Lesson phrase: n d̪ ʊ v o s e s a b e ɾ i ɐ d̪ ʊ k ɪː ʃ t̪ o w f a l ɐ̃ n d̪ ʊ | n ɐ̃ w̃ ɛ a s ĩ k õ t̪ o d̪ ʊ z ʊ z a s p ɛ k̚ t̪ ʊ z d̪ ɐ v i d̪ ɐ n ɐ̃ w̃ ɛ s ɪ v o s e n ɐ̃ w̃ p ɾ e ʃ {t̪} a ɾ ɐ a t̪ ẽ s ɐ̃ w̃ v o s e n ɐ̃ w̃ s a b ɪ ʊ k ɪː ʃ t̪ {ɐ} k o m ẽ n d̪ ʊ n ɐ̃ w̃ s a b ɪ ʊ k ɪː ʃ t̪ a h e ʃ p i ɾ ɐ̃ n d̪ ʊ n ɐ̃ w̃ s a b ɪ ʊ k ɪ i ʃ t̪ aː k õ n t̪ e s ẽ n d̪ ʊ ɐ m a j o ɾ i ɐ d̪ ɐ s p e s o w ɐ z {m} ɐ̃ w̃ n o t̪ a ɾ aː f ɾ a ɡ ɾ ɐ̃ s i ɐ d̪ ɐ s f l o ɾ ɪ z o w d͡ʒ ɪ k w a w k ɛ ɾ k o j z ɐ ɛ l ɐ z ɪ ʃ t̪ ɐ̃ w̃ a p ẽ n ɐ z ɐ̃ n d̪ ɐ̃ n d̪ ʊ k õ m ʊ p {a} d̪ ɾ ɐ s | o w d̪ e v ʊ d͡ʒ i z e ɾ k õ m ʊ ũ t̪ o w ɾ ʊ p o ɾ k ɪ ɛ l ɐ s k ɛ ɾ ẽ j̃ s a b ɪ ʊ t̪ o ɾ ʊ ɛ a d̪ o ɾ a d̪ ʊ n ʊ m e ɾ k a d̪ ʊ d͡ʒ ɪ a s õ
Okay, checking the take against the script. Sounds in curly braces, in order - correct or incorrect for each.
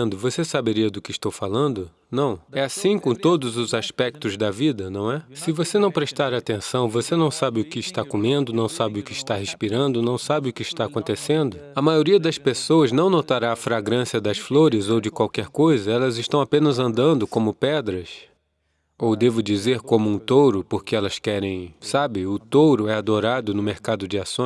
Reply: correct, incorrect: a, incorrect: n, incorrect: ɛ

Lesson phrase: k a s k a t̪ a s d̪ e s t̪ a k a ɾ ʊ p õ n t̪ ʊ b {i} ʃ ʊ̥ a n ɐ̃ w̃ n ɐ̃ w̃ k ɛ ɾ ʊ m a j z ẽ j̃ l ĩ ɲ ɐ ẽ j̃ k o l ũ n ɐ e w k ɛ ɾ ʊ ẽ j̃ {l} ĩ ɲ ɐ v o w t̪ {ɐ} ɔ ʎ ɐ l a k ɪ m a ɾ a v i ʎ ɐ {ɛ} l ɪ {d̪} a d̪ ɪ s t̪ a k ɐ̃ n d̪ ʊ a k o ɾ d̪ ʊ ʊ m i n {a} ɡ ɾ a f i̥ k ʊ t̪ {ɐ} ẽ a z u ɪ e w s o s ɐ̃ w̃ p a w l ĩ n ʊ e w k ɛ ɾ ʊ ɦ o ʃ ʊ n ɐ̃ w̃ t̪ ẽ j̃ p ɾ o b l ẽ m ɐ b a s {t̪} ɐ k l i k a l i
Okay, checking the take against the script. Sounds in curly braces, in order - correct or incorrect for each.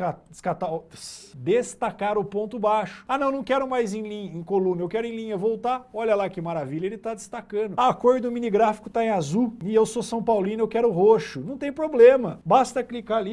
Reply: incorrect: a, correct, incorrect: a, incorrect: e, incorrect: t̪, incorrect: i, incorrect: a, correct

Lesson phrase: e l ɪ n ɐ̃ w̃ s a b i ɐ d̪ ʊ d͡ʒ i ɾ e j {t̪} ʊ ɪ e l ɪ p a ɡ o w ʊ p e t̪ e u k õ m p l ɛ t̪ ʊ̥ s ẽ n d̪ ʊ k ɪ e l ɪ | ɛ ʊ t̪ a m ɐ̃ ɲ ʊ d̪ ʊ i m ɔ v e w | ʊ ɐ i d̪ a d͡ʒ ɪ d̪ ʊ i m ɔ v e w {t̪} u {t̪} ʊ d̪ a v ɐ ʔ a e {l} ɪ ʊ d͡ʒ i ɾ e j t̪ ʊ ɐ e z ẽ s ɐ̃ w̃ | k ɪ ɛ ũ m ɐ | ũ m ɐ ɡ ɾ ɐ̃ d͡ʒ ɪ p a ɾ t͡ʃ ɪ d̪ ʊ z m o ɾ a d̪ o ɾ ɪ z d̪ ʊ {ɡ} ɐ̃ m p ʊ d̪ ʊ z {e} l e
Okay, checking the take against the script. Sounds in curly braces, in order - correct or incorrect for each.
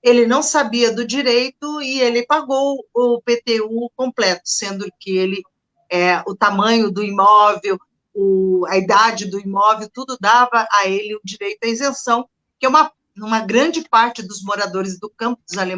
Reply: correct, correct, incorrect: d̪, correct, incorrect: k, incorrect: a

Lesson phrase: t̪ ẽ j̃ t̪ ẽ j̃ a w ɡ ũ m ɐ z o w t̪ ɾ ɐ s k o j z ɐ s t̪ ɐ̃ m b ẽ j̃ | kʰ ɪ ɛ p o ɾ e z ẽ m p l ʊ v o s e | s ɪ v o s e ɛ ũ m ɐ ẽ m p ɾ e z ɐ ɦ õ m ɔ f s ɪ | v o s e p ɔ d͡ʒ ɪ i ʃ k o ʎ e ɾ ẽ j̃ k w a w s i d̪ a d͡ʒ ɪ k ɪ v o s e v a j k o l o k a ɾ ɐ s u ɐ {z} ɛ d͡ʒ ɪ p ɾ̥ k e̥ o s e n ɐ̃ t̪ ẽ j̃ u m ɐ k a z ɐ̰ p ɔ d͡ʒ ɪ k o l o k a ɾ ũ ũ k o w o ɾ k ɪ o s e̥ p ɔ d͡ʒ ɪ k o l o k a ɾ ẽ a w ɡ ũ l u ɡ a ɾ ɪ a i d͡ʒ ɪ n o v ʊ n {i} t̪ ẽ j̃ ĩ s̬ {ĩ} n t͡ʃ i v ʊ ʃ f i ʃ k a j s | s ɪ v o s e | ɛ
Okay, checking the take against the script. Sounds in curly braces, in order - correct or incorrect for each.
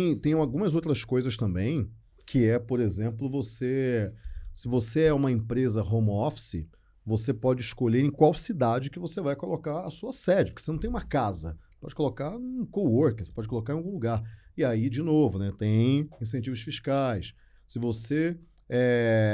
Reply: incorrect: s, incorrect: ɛ, incorrect: ẽ

